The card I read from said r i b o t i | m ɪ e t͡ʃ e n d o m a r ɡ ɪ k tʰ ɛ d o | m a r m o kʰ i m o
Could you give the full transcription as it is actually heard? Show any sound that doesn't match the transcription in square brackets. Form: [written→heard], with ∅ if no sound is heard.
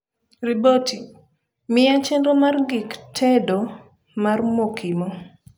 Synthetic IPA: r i b o t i | m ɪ [e→a] t͡ʃ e n d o m a r ɡ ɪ k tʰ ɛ d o | m a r m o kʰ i m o